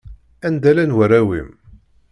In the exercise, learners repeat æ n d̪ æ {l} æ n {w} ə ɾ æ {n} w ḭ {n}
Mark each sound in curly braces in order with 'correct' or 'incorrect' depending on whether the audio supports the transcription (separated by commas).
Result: correct, correct, incorrect, incorrect